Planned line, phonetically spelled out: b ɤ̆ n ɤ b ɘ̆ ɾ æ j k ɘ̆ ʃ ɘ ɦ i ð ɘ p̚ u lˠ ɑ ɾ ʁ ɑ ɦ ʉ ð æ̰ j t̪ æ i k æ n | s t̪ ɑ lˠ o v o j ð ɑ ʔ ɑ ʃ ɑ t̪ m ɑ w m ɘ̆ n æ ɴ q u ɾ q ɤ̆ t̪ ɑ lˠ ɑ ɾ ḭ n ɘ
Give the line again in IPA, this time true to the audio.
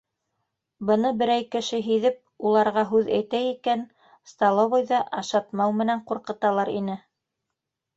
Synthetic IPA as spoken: b ɤ̆ n ɤ b ɘ̆ ɾ æ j k ɘ̆ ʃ ɘ ɦ i ð ɘ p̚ u lˠ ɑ ɾ ʁ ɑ ɦ ʉ ð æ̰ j t̪ æ i k æ n | s t̪ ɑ lˠ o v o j ð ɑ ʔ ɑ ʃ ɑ t̪ m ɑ w m ɘ̆ n æ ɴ q u ɾ q ɤ̆ t̪ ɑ lˠ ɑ ɾ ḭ n ɘ